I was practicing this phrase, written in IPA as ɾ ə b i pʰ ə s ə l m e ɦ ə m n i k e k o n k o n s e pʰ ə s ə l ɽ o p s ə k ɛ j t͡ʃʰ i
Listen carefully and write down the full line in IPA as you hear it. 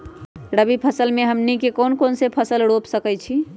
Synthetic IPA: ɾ ə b i pʰ ə s ə l m e ɦ ə m n i k e k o n k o n s e pʰ ə s ə l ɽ o p s ə k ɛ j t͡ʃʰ i